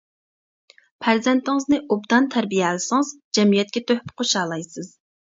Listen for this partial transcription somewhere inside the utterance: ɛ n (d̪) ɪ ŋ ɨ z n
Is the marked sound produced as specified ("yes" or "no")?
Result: no